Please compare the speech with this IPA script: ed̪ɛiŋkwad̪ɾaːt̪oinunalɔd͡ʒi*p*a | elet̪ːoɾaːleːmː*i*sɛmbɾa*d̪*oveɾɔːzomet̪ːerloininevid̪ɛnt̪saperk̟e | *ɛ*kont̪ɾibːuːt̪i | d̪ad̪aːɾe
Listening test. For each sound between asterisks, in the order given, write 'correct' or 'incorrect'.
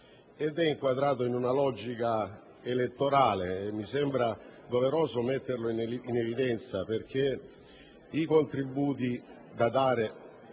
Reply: incorrect: k, correct, correct, incorrect: i

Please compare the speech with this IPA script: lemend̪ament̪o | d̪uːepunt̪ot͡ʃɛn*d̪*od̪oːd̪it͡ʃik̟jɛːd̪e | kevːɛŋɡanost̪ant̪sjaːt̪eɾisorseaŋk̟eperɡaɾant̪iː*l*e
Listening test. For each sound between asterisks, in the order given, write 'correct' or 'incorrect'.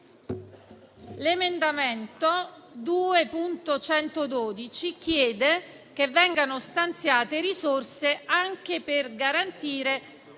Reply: incorrect: t̪, incorrect: ɾ

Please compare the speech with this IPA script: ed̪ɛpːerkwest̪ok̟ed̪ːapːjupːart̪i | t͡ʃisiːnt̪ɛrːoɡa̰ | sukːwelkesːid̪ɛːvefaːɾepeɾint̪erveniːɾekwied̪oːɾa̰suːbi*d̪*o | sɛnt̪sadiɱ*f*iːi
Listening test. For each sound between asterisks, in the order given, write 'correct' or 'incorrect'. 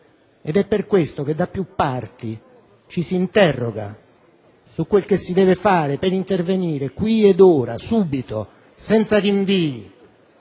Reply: incorrect: t̪, incorrect: v

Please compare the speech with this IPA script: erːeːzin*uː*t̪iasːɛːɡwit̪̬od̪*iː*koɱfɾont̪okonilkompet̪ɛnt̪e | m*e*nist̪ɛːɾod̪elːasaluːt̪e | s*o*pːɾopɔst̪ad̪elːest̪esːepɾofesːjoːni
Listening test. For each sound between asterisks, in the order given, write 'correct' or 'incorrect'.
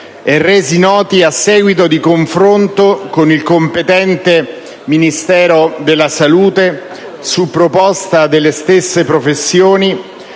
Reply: incorrect: ɔː, incorrect: i, incorrect: i, incorrect: u

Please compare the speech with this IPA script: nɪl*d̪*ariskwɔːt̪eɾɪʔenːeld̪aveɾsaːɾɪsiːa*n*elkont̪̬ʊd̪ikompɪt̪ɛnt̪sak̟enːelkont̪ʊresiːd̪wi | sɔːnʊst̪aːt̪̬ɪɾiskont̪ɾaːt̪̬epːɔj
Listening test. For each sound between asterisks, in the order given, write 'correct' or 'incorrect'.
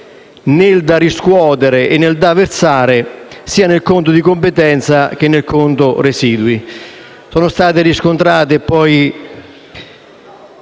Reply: correct, correct

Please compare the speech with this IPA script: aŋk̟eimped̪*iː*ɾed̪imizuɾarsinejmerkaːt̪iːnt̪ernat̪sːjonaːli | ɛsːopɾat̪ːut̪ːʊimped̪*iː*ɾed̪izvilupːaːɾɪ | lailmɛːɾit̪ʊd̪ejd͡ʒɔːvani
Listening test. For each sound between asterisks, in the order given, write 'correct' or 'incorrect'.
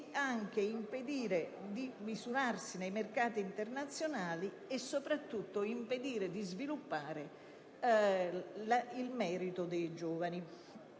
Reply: correct, correct

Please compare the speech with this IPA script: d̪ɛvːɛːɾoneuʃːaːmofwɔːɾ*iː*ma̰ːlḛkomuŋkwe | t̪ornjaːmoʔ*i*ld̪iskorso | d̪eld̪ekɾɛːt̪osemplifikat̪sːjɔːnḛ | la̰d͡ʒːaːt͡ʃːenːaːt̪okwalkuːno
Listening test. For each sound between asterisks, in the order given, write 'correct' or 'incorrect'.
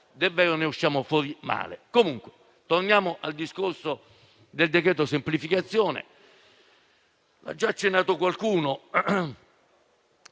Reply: incorrect: i, incorrect: a

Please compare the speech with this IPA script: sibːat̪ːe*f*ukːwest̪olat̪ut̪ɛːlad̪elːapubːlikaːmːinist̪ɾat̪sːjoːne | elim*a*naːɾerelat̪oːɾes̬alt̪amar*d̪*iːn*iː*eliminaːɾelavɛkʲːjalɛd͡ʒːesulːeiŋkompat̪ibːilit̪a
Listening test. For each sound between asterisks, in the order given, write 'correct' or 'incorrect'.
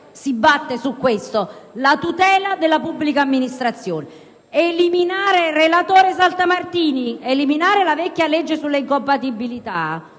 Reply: incorrect: s, incorrect: i, incorrect: t̪, incorrect: i

